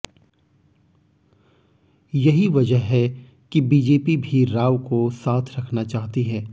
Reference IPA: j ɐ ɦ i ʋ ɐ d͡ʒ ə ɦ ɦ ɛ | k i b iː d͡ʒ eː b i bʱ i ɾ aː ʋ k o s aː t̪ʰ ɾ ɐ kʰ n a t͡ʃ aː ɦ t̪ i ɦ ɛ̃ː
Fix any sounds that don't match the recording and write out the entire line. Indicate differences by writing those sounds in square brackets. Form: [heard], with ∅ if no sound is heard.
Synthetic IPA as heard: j ɐ ɦ i ʋ ɐ d͡ʒ ə ɦ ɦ ɛ | k i b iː d͡ʒ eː [p] i bʱ i ɾ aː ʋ k o s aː t̪ʰ ɾ ɐ kʰ n a t͡ʃ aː ɦ t̪ i ɦ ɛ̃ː